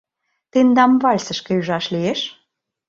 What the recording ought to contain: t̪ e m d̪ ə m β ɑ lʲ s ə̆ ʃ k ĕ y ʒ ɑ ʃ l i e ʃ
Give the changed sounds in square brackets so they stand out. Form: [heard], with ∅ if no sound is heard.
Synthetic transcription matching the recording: t̪ e [n] d̪ [ɑ] m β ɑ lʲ s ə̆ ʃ k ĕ y ʒ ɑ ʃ l i e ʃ